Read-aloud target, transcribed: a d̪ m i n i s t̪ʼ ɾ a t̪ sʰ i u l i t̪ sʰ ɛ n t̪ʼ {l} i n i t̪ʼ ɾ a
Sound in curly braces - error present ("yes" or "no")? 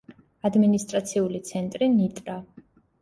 yes